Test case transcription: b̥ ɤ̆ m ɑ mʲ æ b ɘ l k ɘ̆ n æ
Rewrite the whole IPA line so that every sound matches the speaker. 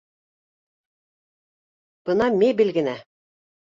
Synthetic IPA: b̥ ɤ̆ n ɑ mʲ e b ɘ l ɡ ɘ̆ n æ